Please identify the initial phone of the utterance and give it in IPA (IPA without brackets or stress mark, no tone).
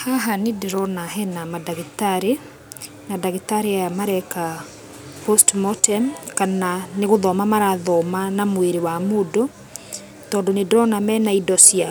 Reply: h